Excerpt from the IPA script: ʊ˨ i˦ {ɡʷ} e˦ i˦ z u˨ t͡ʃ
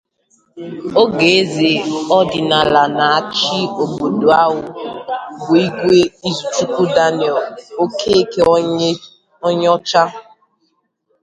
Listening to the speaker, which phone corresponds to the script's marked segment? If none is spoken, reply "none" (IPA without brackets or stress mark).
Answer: ɡʷ